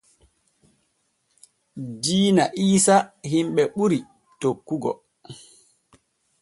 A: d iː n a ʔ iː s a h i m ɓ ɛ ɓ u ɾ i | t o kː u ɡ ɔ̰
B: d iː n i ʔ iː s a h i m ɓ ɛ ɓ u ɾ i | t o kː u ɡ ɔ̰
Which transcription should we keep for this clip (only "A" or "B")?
A